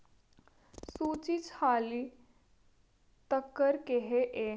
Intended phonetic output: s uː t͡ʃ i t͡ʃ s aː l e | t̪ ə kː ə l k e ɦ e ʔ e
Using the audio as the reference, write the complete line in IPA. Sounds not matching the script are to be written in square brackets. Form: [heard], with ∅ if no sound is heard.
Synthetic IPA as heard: s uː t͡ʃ i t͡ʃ [h] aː l [i] | t̪ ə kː ə [ɾ] k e ɦ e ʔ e